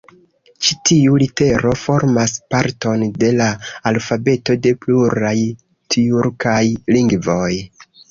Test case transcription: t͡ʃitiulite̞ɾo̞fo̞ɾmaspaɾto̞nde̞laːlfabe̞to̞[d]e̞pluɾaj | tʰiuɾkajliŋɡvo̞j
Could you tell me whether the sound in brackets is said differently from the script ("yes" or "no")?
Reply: no